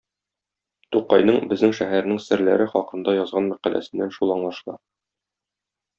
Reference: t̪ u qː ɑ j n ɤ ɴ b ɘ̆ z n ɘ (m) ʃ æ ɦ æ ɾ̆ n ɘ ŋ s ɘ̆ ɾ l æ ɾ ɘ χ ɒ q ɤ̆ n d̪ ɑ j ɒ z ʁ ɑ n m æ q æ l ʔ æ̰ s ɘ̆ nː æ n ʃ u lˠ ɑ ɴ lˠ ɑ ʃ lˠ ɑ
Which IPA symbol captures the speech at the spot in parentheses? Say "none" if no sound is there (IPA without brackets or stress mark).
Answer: ŋ